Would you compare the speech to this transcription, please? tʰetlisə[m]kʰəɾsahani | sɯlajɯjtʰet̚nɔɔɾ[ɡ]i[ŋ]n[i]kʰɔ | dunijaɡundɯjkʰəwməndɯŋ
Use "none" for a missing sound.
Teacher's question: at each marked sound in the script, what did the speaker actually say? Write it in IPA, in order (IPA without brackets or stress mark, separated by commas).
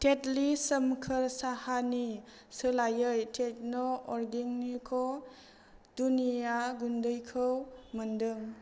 m, ɡ, ŋ, i